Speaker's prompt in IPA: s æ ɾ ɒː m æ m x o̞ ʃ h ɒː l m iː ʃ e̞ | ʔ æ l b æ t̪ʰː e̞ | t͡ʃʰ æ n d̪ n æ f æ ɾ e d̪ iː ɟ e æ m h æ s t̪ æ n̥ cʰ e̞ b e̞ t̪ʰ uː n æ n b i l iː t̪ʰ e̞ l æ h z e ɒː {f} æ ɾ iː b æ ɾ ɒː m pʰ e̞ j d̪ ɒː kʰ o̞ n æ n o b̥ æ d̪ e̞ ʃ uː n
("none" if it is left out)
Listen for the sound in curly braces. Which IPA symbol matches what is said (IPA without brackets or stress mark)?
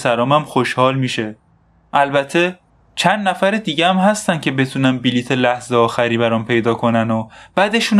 x